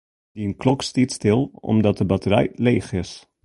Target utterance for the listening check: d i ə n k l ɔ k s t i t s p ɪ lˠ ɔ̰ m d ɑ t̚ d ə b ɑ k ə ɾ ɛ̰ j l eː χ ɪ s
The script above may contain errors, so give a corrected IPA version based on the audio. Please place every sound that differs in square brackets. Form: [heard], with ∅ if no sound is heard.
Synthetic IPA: d i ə n k l ɔ k s t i t s [t] ɪ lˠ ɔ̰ m d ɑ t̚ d ə b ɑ [t] ə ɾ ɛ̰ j l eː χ ɪ s